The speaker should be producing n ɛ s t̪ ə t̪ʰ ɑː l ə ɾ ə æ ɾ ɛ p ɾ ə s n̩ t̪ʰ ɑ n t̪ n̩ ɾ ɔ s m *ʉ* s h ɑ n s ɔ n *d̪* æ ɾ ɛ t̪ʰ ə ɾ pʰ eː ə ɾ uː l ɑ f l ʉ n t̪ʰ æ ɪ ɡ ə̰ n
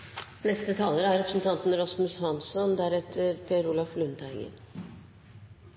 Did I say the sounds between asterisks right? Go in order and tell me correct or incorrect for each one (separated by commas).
correct, correct